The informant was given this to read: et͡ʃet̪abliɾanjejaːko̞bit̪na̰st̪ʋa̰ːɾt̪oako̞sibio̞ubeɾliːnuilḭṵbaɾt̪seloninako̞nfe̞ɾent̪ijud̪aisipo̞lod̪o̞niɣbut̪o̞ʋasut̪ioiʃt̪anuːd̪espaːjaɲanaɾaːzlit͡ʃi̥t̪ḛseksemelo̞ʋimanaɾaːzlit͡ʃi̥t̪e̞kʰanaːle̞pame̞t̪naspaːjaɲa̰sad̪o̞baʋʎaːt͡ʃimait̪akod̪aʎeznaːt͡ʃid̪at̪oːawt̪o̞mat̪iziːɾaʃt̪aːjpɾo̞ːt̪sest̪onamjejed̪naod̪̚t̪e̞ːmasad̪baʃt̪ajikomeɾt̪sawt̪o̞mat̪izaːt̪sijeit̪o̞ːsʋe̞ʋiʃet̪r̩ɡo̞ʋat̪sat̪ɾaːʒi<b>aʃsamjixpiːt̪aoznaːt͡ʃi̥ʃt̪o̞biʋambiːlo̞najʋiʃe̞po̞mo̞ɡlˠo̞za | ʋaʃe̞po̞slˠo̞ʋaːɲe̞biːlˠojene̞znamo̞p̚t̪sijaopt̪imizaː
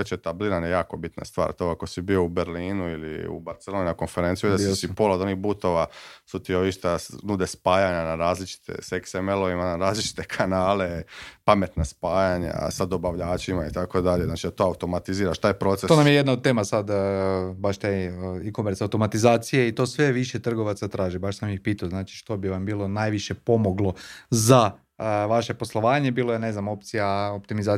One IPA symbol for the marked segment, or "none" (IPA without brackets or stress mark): b